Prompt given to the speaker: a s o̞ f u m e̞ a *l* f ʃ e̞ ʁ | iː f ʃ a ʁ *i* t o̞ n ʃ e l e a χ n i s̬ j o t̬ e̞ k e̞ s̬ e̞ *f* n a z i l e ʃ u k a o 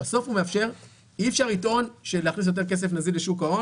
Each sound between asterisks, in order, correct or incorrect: incorrect: none, correct, correct

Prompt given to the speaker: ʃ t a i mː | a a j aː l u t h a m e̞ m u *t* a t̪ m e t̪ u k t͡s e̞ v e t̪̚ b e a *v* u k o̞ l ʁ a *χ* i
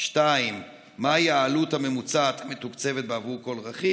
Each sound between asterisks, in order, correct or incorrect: incorrect: t͡s, correct, correct

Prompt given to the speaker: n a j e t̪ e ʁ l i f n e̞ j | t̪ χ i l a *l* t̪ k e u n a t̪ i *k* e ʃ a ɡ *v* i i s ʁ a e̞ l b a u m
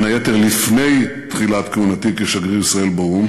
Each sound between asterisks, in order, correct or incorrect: incorrect: none, correct, incorrect: ʁ

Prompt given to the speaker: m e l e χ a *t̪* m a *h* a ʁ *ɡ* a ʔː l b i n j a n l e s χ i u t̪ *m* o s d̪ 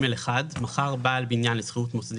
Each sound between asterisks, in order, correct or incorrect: incorrect: d̪, incorrect: χ, incorrect: b, correct

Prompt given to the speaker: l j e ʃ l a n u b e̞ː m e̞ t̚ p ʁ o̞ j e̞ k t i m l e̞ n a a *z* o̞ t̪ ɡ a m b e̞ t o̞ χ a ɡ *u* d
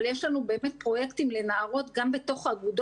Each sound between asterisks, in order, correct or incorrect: incorrect: ʁ, correct

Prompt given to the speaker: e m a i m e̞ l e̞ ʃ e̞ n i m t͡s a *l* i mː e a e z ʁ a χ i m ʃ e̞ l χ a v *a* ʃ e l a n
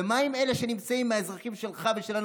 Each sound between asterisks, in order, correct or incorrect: incorrect: none, incorrect: e

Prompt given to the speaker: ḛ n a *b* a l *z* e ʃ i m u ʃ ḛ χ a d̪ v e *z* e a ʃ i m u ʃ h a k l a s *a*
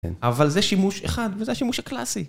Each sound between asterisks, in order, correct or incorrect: incorrect: v, correct, correct, incorrect: i

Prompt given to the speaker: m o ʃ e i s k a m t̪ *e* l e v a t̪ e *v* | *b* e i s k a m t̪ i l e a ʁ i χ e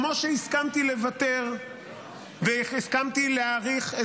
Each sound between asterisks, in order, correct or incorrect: incorrect: i, incorrect: ʁ, incorrect: v

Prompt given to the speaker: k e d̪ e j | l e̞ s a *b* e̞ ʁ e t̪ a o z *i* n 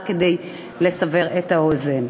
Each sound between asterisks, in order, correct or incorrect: incorrect: v, incorrect: e

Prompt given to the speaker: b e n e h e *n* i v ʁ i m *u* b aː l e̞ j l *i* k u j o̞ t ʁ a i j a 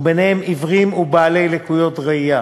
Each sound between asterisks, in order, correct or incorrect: incorrect: m, correct, incorrect: e

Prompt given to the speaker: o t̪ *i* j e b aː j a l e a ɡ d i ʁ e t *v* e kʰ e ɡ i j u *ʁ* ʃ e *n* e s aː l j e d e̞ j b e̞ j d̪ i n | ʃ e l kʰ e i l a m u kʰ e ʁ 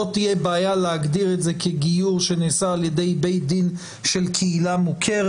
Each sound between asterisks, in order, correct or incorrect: correct, incorrect: z, correct, correct

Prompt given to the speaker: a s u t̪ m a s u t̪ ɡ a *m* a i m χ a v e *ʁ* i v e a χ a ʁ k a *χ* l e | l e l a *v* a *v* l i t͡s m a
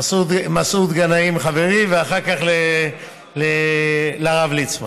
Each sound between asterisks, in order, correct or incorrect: incorrect: n, correct, correct, incorrect: ʁ, correct

